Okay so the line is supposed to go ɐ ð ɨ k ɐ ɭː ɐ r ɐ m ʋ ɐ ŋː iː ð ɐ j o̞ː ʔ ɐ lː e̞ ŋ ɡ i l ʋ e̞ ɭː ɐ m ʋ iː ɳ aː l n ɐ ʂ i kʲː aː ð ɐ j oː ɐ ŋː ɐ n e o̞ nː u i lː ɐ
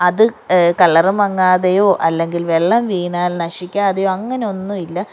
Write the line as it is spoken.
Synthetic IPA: ɐ ð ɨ k ɐ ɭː ɐ r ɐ m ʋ ɐ ŋː aː ð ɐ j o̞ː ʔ ɐ lː e̞ ŋ ɡ i l ʋ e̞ ɭː ɐ m ʋ iː ɳ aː l n ɐ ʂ i kʲː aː ð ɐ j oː ɐ ŋː ɐ n e o̞ nː u i lː ɐ